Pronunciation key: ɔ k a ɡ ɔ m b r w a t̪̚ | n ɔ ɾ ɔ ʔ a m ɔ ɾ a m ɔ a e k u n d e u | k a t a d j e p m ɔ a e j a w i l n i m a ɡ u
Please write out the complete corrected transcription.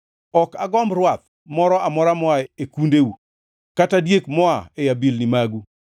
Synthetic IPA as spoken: ɔ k a ɡ ɔ m b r w a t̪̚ | m ɔ ɾ ɔ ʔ a m ɔ ɾ a m ɔ a e k u n d e u | k a t a d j e k m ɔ a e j a b i l n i m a ɡ u